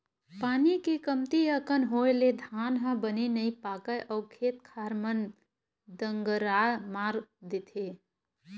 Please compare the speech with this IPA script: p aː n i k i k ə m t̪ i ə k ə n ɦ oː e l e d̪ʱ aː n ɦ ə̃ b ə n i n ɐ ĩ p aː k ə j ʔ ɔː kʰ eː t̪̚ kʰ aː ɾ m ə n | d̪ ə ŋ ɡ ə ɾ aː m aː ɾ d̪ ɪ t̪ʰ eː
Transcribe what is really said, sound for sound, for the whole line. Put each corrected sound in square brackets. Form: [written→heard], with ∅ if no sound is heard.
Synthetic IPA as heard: p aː n i k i k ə m t̪ i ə k ə n ɦ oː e l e d̪ʱ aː n ɦ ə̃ b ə n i n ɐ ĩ p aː k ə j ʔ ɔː kʰ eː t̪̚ kʰ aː ɾ m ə n | d̪ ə ŋ ɡ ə ɾ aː m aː ɾ d̪ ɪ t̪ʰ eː